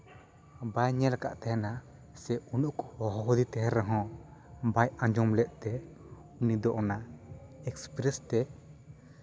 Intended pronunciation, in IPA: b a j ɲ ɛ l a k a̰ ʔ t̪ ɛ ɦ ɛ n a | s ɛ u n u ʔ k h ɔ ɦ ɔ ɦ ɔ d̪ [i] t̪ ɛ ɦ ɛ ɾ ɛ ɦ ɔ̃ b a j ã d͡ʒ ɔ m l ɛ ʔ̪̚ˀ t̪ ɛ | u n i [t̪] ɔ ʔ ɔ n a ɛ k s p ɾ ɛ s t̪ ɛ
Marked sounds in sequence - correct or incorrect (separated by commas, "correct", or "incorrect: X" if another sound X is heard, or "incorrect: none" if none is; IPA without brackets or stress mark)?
correct, incorrect: d̪